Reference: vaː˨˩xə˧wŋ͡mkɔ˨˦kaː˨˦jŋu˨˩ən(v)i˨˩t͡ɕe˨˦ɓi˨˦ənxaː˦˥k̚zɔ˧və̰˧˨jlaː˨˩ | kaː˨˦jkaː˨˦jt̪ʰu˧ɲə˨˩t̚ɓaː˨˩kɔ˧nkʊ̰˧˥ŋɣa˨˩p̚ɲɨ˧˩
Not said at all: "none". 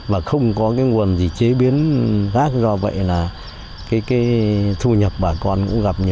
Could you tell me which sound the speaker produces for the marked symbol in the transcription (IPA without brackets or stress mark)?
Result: z